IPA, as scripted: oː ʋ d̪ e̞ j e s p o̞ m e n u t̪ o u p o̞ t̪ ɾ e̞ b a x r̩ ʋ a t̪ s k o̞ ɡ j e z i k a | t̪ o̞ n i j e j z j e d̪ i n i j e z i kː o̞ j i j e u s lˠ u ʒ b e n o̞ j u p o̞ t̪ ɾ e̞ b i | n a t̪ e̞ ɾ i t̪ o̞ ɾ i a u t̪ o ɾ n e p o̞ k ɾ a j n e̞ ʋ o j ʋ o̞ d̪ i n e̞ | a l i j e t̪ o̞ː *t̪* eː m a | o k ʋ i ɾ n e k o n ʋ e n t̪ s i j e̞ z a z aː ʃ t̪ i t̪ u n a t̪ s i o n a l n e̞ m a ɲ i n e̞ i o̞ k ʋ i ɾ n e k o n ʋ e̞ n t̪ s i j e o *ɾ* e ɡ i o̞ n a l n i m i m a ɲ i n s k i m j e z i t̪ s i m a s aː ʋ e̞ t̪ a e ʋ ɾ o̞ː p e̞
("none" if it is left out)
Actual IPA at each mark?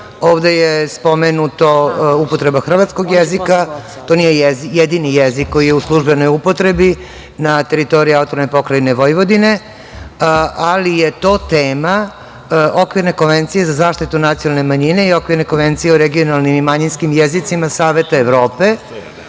t̪, ɾ

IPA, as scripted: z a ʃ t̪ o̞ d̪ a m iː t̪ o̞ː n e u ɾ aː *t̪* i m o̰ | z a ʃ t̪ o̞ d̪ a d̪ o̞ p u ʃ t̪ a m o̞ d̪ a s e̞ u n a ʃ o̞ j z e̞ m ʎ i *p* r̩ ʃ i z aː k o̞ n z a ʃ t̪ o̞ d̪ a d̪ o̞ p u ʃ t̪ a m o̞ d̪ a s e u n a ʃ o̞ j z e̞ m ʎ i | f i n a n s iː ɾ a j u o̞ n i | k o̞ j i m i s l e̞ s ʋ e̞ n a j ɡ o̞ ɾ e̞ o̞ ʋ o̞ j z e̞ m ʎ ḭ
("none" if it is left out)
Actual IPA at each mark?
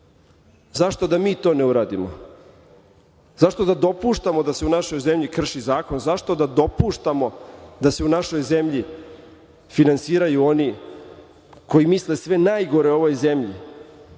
d̪, k

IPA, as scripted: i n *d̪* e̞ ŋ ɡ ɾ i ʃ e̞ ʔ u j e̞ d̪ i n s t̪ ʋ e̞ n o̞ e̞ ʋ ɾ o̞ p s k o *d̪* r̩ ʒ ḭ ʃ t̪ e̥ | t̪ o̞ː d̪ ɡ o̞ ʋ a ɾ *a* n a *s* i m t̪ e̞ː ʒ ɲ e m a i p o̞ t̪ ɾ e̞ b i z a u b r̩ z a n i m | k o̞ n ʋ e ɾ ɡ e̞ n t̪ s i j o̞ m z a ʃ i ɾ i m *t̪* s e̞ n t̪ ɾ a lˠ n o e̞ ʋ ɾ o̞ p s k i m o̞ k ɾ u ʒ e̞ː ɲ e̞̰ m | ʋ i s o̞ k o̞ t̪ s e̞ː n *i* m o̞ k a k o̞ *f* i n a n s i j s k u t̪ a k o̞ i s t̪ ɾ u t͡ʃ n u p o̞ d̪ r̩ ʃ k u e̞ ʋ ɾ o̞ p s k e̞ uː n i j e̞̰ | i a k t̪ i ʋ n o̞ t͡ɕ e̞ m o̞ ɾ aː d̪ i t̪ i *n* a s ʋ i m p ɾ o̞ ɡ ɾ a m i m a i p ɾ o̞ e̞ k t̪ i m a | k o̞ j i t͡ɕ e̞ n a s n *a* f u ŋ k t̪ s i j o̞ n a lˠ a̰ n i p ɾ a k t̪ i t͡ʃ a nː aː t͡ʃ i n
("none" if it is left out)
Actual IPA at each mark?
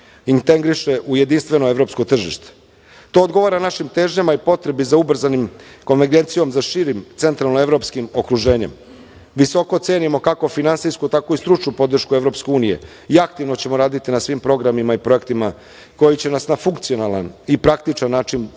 t̪, t̪, a, ʃ, t̪, i, f, n, a

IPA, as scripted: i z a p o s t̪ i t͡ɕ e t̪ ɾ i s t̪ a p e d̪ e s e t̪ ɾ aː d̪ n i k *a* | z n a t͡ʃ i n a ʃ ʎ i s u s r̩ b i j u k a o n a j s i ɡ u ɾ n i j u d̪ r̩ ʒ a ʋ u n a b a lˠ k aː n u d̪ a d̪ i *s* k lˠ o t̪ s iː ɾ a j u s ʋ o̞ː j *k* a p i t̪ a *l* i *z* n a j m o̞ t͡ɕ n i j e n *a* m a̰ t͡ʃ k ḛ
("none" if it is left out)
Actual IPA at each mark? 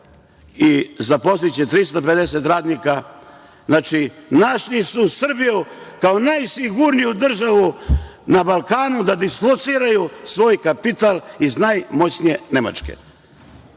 a, s, k, l, z, e

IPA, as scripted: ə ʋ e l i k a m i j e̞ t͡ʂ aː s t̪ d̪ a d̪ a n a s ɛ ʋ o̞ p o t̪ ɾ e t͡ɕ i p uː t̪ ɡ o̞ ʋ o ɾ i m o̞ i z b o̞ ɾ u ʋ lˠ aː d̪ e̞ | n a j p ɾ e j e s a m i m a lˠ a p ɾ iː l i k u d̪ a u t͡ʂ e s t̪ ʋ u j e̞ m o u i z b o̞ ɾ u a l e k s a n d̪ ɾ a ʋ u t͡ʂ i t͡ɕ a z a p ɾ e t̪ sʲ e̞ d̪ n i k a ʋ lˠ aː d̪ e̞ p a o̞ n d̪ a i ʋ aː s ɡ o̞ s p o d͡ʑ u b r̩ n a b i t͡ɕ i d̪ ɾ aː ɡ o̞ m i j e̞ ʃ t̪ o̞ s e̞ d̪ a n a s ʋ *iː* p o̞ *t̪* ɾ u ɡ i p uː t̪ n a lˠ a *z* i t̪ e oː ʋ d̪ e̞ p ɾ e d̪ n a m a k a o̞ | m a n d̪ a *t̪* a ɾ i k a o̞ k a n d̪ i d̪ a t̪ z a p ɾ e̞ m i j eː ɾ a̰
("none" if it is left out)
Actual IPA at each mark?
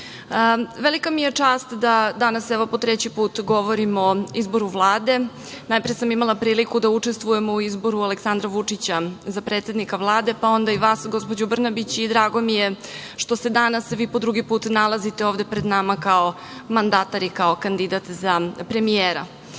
iː, d̪, z, t̪

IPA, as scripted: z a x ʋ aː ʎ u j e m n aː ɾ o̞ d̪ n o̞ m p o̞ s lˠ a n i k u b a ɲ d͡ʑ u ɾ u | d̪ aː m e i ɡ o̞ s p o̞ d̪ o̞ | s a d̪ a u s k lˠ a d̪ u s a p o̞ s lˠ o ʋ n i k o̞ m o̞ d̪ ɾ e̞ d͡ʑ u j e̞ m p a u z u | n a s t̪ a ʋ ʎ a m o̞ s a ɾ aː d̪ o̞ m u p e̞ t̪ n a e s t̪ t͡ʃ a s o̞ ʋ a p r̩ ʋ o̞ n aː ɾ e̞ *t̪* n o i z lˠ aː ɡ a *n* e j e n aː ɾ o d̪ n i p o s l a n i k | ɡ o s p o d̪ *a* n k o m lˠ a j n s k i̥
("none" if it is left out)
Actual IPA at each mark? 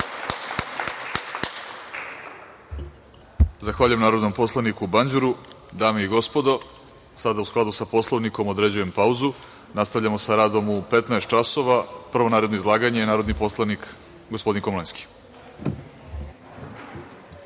d̪, ɲ, i

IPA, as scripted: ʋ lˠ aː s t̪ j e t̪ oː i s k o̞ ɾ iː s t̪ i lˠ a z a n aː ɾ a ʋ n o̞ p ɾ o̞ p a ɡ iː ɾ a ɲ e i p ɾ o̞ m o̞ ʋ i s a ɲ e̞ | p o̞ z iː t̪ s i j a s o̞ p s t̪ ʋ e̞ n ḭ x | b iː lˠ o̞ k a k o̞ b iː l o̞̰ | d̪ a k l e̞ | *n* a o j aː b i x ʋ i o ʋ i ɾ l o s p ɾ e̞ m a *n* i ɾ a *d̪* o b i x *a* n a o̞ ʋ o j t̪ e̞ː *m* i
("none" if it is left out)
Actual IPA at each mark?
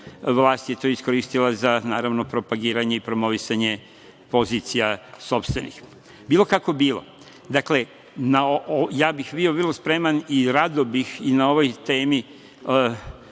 n, n, d̪, i, m

